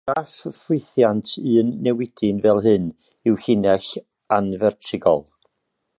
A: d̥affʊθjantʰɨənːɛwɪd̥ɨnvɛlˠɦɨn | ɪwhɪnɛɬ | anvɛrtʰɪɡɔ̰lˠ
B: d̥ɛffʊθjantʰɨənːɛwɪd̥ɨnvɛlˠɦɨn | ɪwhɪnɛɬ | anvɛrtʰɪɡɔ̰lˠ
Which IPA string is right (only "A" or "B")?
A